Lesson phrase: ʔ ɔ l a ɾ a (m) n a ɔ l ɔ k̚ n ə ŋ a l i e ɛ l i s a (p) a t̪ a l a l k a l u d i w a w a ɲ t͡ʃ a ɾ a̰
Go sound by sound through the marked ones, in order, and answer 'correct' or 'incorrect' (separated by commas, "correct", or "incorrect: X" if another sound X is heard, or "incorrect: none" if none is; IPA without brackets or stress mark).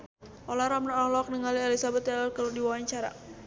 correct, incorrect: b